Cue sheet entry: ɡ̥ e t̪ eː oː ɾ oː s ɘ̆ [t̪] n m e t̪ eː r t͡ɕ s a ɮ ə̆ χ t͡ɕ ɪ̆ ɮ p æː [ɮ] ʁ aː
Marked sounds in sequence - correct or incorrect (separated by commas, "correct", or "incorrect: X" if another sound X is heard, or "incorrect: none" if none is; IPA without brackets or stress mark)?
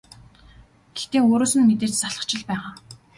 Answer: incorrect: none, incorrect: none